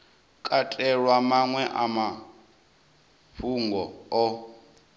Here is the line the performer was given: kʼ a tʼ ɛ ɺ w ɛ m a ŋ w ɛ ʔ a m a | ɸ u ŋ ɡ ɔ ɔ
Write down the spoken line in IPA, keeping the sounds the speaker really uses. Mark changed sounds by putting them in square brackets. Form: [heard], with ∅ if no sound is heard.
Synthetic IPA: kʼ a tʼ ɛ ɺ w [a] m a ŋ w ɛ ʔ a m a | ɸ u ŋ ɡ ɔ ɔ